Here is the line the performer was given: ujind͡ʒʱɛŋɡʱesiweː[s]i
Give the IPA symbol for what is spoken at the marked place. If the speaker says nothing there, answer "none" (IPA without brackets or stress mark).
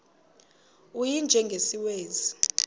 z